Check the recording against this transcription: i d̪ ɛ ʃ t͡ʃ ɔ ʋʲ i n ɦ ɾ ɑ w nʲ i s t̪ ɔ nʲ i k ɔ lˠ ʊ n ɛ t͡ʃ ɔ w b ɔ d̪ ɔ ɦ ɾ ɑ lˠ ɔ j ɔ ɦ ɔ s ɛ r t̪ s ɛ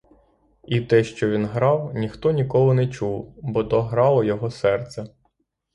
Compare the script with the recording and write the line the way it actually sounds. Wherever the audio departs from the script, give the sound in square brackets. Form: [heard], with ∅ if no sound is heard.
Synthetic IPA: i [t̪] ɛ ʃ t͡ʃ ɔ ʋʲ i n ɦ ɾ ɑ w nʲ i [x] t̪ ɔ nʲ i k ɔ lˠ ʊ n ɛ t͡ʃ [u] w b ɔ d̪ ɔ ɦ ɾ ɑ lˠ ɔ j ɔ ɦ ɔ s ɛ r t̪ s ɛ

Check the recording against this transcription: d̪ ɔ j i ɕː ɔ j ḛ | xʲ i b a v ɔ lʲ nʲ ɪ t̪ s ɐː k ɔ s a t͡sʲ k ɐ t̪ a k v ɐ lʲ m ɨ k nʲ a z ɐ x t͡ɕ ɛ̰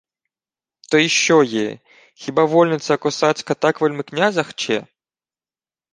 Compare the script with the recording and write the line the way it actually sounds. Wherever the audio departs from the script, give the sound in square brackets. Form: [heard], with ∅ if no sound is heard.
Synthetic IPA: [t̪] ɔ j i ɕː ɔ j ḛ | xʲ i b a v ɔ lʲ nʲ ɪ t̪ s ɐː k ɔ s a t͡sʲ k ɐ t̪ a k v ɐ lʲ m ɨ k nʲ a z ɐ x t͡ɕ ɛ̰

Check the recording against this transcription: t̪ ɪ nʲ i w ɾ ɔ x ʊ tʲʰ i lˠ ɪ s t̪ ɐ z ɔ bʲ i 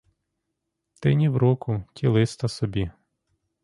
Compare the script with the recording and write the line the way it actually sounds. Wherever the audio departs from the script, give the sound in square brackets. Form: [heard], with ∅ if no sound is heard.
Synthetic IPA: t̪ ɪ nʲ i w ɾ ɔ [k] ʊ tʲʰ i lˠ ɪ s t̪ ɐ [s] ɔ bʲ i

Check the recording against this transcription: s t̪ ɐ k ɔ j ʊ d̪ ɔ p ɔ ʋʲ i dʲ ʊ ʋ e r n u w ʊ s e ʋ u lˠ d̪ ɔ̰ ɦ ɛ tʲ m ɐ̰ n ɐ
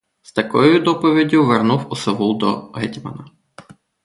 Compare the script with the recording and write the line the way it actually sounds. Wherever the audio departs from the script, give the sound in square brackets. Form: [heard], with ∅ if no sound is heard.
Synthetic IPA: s t̪ ɐ k ɔ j ʊ d̪ ɔ p ɔ ʋʲ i dʲ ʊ ʋ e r n u w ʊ s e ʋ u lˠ d̪ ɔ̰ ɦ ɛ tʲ m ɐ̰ n ɐ

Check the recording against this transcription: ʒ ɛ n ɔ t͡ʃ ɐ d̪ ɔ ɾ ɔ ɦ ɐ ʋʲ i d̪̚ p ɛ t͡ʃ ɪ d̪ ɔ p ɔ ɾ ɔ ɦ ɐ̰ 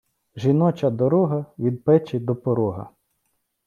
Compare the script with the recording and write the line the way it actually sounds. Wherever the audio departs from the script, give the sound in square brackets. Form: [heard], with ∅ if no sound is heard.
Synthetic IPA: ʒ [i] n ɔ t͡ʃ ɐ d̪ ɔ ɾ ɔ ɦ ɐ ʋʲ i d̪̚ p ɛ t͡ʃ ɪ d̪ ɔ p ɔ ɾ ɔ ɦ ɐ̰

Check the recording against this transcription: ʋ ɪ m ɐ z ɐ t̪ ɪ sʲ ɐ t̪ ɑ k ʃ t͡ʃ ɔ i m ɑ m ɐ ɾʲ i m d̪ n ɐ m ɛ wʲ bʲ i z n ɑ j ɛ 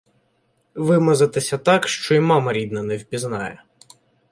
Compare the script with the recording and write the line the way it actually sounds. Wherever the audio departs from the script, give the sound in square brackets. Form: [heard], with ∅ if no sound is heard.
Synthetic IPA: ʋ ɪ m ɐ z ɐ t̪ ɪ sʲ ɐ t̪ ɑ k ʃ t͡ʃ ɔ i m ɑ m ɐ ɾʲ i [∅] d̪ n ɐ [n] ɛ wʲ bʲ i z n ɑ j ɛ

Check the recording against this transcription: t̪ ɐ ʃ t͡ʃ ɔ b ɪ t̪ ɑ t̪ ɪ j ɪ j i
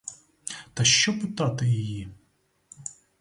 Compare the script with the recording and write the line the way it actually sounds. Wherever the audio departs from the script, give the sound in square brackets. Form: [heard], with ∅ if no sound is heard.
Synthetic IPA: t̪ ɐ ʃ t͡ʃ ɔ [p] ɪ t̪ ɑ t̪ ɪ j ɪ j i

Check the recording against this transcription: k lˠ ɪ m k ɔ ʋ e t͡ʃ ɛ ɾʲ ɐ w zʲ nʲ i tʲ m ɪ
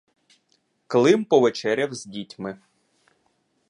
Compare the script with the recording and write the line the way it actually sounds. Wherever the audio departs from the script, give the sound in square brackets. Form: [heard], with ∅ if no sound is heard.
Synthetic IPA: k lˠ ɪ m [p] ɔ ʋ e t͡ʃ ɛ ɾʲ ɐ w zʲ [dʲ] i tʲ m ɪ

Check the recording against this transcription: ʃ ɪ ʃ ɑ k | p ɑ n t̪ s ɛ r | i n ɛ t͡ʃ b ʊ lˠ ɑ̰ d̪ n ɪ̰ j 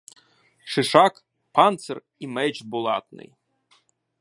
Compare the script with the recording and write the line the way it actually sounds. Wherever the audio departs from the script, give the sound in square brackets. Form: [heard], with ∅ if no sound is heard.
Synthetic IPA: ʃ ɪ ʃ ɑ k | p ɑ n t̪ s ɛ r | i [m] ɛ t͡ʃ b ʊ lˠ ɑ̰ [t̪] n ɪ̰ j

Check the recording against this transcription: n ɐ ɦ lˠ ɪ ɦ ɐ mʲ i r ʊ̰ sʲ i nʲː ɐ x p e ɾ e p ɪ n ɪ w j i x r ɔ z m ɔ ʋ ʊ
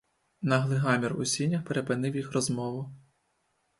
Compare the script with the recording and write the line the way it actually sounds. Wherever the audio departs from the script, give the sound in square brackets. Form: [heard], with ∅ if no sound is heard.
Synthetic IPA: n ɐ ɦ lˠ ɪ ɦ [ɑ] mʲ i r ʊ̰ sʲ i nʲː ɐ x p e ɾ e p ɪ n ɪ w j i x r ɔ z m ɔ ʋ ʊ

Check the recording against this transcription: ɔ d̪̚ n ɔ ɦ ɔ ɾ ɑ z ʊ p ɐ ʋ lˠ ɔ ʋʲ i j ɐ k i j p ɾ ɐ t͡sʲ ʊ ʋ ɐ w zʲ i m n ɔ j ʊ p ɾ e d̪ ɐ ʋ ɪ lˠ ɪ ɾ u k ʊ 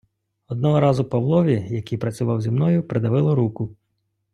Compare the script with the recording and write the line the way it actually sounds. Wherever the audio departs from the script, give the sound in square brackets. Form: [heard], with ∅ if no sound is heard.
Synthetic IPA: ɔ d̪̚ n ɔ ɦ ɔ ɾ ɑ z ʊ p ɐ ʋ lˠ ɔ ʋʲ i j ɐ k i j p ɾ ɐ t͡sʲ ʊ ʋ [ɑ] w zʲ i m n ɔ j ʊ p ɾ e d̪ ɐ ʋ ɪ lˠ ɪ ɾ u k ʊ

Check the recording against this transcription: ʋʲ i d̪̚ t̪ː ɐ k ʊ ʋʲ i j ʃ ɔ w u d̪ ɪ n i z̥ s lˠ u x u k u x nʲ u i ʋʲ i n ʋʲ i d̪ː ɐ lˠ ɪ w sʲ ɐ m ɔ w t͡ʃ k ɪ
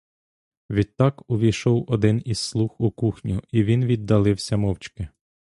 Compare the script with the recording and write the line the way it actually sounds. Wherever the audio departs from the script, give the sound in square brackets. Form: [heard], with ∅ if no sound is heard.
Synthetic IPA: ʋʲ i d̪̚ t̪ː [ɑ] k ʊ ʋʲ i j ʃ ɔ w [ɔ] d̪ ɪ n i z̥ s lˠ u x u k u x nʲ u i ʋʲ i n ʋʲ i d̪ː ɐ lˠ ɪ w sʲ ɐ m ɔ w t͡ʃ k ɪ

